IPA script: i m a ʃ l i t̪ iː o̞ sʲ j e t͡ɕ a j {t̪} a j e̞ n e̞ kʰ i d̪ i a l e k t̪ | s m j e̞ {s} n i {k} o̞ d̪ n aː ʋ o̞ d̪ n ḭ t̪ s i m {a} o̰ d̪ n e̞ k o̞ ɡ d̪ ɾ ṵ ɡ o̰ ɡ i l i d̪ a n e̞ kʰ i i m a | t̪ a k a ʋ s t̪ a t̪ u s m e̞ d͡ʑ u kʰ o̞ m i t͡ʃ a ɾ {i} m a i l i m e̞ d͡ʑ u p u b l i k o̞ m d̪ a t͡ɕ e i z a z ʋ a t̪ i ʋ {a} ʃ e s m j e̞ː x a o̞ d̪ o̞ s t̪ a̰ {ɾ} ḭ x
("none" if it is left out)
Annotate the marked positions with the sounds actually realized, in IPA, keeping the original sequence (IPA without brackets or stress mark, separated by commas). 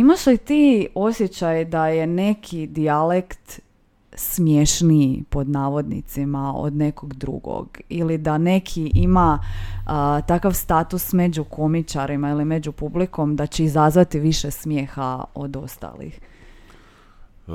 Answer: d̪, ʃ, p, a, i, i, l